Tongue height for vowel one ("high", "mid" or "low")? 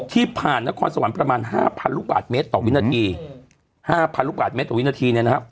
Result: high